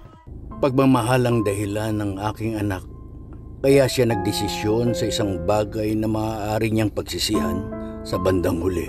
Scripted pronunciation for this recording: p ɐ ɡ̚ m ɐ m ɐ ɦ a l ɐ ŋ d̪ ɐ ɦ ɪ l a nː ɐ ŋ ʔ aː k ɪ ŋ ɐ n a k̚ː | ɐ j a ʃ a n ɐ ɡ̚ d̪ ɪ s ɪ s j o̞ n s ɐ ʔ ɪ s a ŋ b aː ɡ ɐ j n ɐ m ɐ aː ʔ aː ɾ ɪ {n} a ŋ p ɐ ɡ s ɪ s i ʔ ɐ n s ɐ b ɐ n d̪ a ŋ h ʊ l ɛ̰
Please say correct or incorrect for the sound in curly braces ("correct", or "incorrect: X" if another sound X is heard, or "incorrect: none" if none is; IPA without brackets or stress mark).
incorrect: ɲ